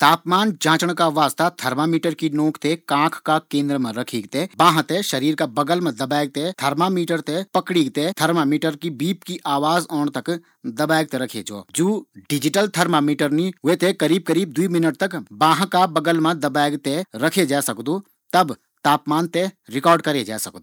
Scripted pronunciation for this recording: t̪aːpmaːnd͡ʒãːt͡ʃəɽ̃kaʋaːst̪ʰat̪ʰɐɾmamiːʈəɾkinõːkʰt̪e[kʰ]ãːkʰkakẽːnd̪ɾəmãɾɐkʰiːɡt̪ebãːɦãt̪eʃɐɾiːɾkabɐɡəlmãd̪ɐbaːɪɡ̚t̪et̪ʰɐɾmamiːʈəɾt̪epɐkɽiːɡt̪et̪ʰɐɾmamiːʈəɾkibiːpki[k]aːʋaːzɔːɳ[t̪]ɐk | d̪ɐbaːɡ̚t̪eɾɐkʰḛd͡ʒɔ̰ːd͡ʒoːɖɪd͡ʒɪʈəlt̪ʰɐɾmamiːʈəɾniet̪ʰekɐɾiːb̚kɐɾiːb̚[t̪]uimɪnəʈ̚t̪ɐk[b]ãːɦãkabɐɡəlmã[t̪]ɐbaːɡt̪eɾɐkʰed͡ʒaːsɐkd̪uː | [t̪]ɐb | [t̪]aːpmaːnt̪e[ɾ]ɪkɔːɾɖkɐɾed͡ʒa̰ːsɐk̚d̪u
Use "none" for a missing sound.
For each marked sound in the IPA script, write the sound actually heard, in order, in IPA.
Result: k, ʔ, t̪, d̪, b, d̪, t̪, t̪, ɾ

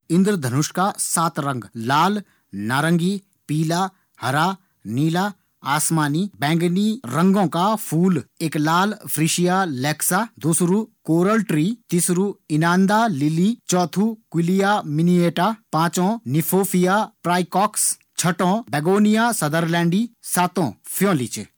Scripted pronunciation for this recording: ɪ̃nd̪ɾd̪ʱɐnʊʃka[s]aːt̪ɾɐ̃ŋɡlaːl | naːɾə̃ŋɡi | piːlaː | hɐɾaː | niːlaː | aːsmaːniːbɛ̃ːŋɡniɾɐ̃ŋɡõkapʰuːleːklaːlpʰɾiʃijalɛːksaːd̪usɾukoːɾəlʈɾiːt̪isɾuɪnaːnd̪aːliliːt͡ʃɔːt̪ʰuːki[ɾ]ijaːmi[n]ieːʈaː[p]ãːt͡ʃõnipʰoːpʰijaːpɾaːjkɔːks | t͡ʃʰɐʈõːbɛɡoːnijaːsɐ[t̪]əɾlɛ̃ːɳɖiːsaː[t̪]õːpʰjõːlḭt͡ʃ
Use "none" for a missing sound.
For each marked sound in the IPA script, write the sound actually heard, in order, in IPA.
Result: s, l, n, p, d̪, t̪

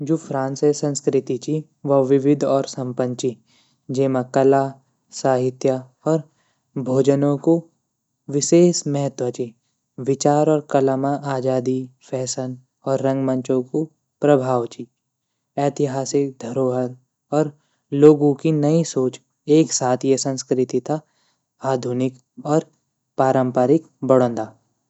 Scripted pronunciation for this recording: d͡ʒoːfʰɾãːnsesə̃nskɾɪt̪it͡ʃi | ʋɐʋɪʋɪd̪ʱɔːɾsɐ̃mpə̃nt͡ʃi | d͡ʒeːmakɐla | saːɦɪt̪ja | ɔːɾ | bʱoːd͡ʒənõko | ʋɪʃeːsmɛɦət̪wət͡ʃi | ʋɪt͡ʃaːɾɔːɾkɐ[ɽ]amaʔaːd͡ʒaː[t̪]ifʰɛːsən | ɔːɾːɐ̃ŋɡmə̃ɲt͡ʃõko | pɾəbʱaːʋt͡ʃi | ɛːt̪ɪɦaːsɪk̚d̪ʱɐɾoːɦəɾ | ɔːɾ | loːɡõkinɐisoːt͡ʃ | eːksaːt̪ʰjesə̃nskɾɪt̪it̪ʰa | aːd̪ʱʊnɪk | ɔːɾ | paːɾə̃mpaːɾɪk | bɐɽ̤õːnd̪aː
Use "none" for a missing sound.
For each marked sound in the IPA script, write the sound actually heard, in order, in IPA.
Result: l, d̪

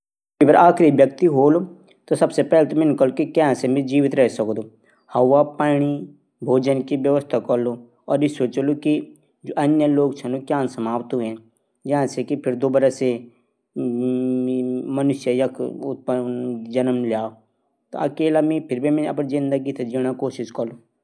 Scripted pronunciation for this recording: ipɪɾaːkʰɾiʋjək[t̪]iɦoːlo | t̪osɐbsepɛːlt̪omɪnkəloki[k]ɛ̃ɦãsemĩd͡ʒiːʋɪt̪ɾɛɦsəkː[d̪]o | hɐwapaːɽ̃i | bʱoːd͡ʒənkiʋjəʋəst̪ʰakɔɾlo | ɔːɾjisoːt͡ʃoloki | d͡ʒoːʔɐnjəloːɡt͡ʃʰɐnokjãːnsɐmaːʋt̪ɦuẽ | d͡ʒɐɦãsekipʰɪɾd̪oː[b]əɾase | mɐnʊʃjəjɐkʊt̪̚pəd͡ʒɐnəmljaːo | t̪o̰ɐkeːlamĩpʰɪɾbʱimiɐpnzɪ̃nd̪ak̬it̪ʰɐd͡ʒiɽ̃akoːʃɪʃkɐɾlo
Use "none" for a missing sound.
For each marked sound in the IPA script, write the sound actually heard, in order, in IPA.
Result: t̪, k, d̪, b

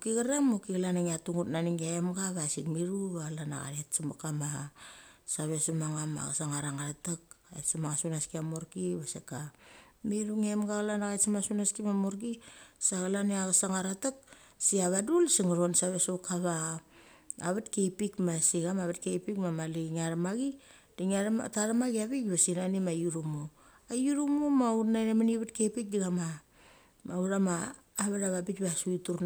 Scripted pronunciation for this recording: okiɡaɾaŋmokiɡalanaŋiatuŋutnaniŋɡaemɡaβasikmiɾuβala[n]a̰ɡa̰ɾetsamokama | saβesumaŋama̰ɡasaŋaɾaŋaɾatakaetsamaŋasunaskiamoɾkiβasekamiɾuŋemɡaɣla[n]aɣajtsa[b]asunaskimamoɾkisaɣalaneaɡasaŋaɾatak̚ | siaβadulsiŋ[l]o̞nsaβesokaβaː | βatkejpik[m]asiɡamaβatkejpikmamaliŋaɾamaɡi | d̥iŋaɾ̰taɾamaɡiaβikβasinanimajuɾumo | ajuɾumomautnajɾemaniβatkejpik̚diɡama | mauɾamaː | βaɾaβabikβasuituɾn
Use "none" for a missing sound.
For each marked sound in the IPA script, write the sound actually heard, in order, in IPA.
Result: n, n, m, ɾ, m

